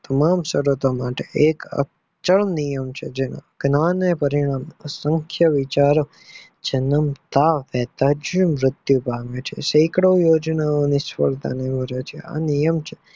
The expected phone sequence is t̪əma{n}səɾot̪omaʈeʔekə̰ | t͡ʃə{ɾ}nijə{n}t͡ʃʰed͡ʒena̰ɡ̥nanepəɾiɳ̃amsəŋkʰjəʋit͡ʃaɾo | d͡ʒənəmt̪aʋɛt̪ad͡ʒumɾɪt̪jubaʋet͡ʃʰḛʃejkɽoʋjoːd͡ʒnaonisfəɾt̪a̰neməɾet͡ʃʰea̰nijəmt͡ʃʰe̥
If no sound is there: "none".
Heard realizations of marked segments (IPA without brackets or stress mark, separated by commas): m, ɭ, m